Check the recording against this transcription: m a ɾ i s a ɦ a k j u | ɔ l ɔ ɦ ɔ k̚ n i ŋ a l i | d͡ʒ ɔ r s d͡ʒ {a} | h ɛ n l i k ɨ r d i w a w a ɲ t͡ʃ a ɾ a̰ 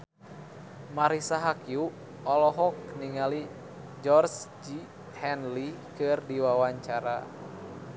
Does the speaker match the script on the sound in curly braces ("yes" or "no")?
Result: no